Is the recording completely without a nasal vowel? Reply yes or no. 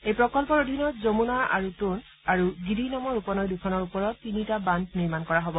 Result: yes